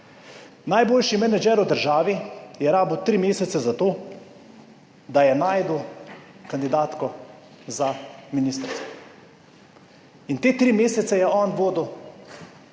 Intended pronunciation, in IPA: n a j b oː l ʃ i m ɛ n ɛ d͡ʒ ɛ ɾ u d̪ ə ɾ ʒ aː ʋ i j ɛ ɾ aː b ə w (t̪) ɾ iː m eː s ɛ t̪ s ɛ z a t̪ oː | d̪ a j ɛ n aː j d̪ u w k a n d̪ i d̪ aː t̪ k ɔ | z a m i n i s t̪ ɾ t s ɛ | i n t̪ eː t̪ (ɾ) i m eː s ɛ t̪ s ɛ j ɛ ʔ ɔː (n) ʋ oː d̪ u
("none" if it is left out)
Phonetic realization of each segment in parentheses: t̪, ɾ, n

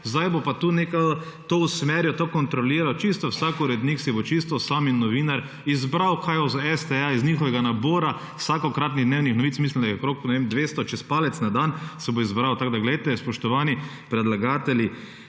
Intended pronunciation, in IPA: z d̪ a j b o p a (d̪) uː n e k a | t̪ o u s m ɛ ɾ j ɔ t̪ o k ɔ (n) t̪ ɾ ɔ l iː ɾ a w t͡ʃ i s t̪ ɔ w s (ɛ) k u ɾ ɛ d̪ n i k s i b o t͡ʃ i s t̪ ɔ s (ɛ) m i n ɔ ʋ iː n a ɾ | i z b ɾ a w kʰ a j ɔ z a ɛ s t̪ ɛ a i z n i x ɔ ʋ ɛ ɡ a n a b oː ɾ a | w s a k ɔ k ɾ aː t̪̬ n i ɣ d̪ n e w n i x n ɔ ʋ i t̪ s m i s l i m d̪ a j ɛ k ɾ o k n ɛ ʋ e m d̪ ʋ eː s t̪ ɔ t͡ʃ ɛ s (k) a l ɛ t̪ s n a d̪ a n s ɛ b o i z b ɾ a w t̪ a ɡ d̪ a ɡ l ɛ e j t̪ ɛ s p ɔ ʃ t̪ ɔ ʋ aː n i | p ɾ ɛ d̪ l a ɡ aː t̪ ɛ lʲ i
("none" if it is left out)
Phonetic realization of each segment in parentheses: t̪, n, a, a, p

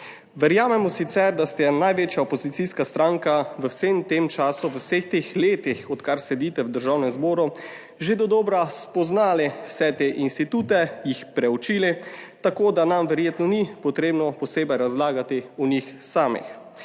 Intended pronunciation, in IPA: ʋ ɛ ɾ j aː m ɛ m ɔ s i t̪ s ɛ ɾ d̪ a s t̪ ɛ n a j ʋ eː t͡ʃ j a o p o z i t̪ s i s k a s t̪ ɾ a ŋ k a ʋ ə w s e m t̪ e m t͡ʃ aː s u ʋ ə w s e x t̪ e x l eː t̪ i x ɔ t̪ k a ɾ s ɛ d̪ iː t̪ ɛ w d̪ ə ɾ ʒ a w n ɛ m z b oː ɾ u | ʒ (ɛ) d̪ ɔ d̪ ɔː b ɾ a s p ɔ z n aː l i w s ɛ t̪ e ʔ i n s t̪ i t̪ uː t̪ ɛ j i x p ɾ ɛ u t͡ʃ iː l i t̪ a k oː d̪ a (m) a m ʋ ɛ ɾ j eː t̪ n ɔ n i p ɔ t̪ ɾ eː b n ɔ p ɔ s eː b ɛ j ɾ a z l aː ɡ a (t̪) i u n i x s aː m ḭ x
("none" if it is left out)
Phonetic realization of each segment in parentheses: e, n, t̪

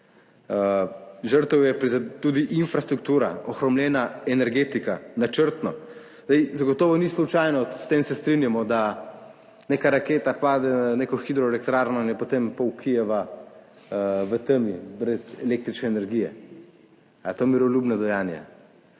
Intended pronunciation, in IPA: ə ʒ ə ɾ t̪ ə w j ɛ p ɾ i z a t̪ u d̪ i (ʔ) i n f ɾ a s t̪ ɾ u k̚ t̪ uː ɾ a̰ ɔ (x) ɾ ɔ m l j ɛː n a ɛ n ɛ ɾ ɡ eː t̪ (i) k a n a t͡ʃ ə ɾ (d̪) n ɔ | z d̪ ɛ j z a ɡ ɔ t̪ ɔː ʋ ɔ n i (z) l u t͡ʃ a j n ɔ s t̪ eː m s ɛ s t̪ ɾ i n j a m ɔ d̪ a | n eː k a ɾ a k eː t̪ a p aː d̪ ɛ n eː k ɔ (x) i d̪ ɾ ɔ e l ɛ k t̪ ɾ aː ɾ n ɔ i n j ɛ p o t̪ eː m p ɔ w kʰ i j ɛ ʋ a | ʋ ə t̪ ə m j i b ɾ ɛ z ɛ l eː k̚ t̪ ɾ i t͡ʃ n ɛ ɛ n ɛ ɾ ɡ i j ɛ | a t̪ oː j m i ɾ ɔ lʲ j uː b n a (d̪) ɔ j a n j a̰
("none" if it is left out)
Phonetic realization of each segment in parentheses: ʔ, x, i, t̪, s, x, d̪

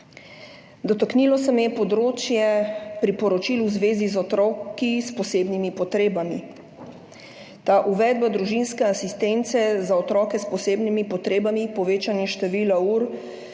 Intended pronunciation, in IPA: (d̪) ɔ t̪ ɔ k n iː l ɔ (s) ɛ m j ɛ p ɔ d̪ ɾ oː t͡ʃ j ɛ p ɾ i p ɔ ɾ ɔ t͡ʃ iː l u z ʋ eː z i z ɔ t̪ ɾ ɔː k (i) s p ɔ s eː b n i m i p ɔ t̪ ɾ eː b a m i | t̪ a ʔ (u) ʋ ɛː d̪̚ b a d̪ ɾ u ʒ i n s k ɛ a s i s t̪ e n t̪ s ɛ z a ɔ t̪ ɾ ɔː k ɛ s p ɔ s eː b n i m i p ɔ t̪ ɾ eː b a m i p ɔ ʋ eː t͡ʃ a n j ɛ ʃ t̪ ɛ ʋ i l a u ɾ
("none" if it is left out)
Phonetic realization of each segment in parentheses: d̪, s, i, u

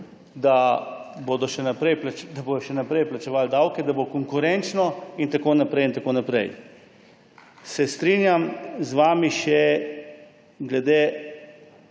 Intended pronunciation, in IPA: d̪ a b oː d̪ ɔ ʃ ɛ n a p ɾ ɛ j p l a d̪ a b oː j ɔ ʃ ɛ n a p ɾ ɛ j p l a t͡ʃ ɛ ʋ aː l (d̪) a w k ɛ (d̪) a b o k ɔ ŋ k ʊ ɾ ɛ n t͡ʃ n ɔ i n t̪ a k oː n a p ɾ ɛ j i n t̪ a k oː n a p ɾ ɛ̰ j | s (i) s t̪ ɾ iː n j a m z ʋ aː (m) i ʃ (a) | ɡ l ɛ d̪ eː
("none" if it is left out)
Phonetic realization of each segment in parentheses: d̪, d̪, ɛ, m, ɛ

